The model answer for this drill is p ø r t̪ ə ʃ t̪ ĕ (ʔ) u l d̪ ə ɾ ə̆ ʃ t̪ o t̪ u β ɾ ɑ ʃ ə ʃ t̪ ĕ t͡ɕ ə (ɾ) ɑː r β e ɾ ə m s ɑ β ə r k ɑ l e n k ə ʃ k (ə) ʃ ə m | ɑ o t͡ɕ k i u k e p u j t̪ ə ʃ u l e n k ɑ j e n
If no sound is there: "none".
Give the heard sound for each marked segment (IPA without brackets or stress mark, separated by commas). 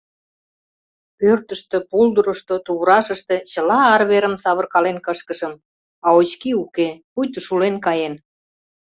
p, l, ə